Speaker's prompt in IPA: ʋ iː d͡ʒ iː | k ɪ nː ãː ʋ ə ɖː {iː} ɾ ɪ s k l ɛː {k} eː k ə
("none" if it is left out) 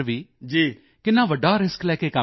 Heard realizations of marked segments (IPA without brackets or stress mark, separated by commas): aː, k